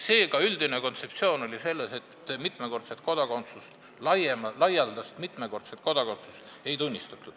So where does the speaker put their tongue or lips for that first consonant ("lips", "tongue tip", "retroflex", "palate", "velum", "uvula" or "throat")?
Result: tongue tip